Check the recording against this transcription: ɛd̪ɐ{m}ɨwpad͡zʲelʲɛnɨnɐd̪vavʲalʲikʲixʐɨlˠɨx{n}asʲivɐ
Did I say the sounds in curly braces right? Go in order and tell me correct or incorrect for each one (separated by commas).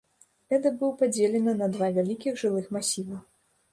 incorrect, incorrect